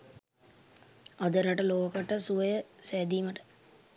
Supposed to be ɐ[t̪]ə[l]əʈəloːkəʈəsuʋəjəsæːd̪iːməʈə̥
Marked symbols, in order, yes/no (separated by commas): no, no